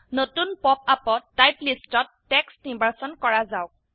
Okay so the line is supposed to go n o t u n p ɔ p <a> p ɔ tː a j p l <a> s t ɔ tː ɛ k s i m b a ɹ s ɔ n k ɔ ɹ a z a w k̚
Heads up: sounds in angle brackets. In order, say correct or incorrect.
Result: correct, incorrect: i

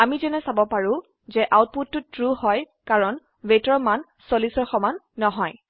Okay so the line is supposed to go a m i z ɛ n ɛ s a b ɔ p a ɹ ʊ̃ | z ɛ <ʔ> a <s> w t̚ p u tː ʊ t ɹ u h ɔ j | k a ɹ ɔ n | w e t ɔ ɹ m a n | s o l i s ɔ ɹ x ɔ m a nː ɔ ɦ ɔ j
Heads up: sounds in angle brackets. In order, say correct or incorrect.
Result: correct, incorrect: none

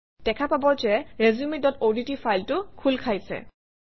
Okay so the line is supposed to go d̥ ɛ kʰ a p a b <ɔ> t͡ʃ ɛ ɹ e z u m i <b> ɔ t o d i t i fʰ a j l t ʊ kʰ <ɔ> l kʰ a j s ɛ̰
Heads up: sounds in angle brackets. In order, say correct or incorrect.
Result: correct, incorrect: d, incorrect: u

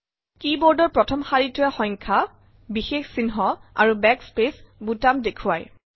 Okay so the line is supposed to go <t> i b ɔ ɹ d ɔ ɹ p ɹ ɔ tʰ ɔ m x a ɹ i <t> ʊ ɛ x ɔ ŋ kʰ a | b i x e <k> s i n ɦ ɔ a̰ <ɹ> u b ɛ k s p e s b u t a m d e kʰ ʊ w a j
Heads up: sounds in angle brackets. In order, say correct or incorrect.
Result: incorrect: k, correct, incorrect: x, correct

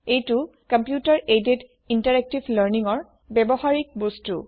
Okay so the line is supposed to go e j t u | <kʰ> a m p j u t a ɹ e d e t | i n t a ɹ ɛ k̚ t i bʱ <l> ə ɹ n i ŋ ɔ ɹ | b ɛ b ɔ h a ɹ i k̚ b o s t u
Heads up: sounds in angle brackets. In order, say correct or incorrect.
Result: incorrect: k, correct

